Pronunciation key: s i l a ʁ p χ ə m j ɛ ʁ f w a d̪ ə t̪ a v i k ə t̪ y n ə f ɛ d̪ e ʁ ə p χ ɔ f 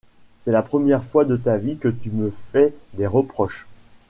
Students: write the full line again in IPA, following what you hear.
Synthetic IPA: s ɛ l a p χ ə m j ɛ ʁ f w a d̪ ə t̪ a v i k ə t̪ y m ə f ɛ d̪ e ʁ ə p χ ɔ ʃ